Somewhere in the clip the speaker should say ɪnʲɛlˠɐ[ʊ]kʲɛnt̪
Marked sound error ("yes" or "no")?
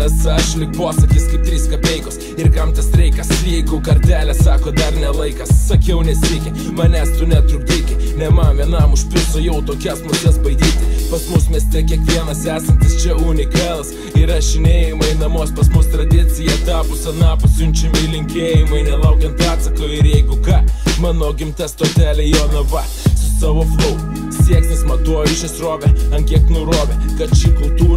no